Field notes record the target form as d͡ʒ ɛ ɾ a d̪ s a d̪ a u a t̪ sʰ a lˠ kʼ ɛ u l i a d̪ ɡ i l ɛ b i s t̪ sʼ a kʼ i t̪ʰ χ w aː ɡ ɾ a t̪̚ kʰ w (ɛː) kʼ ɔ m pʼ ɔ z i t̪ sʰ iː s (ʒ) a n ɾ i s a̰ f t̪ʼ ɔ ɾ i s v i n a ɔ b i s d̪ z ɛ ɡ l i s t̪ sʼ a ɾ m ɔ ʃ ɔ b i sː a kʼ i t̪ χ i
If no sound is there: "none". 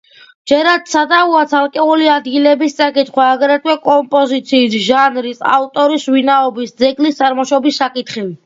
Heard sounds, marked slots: ɛ, ʒ

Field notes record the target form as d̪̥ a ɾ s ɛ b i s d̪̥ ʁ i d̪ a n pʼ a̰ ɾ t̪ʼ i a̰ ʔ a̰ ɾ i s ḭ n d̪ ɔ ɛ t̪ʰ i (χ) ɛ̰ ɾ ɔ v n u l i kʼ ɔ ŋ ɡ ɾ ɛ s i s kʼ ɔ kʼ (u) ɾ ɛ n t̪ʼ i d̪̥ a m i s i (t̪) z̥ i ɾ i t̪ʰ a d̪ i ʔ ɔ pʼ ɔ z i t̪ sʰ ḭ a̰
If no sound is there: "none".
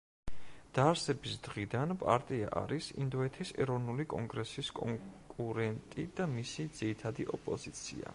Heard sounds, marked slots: s, u, d̪

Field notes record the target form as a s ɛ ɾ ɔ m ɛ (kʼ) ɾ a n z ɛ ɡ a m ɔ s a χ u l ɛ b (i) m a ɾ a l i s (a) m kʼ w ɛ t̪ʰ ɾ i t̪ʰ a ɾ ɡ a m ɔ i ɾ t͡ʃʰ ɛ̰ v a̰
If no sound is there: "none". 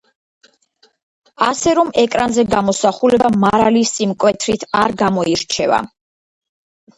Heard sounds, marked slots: kʼ, a, i

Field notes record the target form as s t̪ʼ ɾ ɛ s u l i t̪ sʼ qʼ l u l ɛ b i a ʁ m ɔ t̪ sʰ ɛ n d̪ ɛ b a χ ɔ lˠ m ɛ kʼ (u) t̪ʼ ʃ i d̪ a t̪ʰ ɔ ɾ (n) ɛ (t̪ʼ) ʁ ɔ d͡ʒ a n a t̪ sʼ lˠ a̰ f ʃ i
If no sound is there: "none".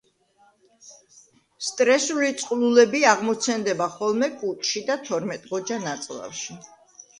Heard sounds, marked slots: u, m, t̪ʼ

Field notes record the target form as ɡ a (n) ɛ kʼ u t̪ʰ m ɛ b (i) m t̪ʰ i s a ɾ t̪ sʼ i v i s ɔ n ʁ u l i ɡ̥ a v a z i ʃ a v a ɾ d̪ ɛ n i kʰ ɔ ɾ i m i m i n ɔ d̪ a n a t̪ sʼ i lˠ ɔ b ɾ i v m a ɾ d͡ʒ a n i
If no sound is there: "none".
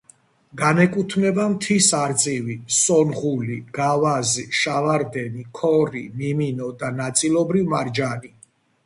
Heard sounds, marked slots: n, a

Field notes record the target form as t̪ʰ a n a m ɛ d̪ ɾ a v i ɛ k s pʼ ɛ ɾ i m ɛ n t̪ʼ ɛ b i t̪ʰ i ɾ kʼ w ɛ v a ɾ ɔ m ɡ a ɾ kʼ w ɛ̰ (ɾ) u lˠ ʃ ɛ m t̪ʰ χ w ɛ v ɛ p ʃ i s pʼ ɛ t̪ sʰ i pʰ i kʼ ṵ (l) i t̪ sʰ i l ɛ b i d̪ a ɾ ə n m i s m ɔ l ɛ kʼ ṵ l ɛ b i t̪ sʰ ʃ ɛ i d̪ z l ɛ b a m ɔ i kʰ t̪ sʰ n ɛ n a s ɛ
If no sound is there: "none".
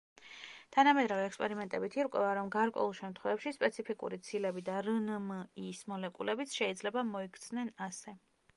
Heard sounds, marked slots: none, ɾ

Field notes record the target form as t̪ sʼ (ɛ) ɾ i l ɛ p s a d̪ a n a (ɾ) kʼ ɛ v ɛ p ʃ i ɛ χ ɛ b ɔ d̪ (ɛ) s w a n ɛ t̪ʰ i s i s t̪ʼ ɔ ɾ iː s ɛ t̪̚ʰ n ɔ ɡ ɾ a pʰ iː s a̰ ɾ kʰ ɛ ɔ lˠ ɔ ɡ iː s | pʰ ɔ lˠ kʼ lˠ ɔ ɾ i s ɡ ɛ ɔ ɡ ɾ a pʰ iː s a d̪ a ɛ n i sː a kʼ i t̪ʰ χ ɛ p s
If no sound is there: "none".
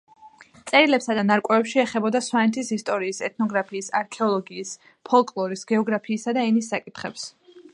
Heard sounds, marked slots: ɛ, ɾ, a

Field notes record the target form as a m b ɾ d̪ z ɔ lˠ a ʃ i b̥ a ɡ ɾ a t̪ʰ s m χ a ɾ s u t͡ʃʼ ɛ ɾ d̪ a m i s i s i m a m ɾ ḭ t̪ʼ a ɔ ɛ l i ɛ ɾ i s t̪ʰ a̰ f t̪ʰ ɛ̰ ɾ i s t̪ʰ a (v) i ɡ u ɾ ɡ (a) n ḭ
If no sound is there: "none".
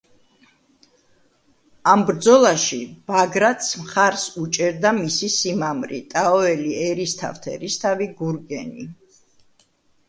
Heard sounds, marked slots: v, ɛ

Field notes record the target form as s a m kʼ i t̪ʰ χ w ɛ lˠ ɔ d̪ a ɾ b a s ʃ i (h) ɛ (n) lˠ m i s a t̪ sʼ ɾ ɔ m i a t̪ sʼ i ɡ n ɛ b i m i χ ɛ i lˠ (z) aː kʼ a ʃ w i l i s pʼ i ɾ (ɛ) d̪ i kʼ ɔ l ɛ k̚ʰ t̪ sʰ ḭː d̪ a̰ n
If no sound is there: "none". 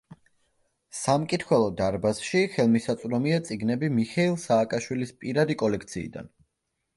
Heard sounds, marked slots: χ, none, s, a

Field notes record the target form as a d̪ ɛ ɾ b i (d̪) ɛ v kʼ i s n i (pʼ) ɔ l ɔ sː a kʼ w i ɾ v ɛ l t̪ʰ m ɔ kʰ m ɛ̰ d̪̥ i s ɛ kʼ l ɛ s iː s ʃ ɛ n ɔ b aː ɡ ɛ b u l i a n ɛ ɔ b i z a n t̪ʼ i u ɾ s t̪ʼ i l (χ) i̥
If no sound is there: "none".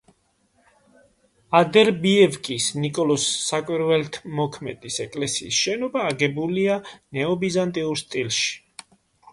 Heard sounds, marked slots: none, kʼ, ʃ

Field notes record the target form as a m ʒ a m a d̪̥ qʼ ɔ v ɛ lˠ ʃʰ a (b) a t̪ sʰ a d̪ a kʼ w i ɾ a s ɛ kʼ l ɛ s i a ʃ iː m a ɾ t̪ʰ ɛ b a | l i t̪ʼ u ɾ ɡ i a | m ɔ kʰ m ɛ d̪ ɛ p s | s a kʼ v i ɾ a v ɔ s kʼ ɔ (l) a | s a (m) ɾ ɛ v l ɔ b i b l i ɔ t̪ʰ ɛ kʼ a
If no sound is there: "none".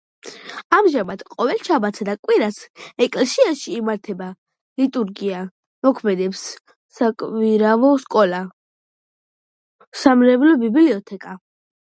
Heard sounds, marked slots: b, l, m

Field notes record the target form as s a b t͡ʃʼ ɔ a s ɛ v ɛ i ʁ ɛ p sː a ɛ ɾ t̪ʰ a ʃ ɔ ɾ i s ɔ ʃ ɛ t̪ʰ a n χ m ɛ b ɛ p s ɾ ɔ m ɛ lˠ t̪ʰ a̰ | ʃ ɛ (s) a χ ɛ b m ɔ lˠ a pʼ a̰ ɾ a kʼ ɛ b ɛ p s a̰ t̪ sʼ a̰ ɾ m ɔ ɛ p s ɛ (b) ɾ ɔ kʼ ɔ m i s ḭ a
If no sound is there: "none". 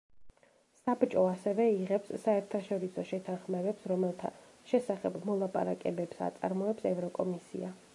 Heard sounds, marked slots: s, v

